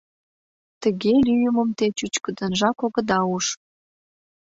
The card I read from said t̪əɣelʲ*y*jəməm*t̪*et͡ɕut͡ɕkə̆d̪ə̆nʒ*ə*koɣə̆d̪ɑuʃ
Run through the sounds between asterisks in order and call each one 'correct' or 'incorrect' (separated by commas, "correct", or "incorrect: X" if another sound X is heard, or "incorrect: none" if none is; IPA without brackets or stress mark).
correct, correct, incorrect: ɑ